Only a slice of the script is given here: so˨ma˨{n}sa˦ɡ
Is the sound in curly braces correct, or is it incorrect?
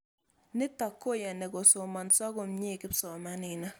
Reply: correct